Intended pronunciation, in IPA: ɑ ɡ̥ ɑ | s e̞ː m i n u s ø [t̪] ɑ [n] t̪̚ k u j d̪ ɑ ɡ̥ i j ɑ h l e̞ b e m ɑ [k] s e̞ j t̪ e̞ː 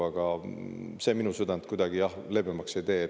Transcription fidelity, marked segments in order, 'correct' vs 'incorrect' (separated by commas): incorrect, correct, correct